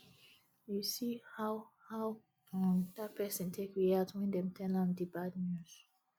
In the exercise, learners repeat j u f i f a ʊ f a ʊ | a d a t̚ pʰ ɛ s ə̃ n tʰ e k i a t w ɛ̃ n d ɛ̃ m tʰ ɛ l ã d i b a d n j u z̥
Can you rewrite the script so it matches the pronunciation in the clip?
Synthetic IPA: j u s i h a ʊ h a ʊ | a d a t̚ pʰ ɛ s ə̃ n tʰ e k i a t w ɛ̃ n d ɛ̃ m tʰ ɛ l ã d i b a d n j u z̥